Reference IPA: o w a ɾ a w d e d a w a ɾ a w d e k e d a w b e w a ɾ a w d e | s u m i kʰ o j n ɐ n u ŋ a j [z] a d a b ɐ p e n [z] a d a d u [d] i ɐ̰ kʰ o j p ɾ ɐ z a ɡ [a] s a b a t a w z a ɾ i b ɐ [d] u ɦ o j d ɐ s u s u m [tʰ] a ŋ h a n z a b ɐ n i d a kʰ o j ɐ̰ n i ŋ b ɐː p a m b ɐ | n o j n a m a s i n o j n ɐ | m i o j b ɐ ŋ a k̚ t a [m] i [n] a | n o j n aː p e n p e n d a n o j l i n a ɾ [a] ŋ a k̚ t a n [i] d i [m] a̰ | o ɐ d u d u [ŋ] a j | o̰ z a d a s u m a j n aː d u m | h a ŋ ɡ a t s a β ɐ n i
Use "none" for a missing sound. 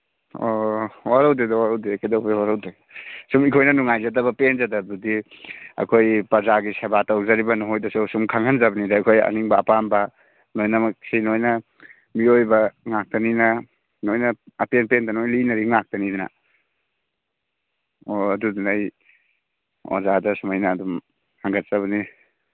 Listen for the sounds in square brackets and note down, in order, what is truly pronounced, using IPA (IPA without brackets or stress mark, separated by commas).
z, z, d, i, n, kʰ, n, n, i, i, n, n